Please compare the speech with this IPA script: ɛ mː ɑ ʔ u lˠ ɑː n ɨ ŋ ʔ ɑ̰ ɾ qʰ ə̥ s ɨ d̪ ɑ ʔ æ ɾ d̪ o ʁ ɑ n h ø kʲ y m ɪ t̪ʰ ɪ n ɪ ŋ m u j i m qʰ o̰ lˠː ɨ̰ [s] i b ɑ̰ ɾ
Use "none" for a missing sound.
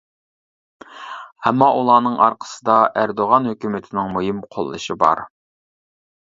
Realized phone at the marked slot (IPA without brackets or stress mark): ʃ